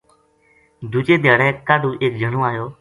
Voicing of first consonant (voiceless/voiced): voiced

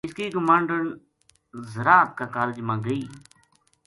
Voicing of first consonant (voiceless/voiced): voiceless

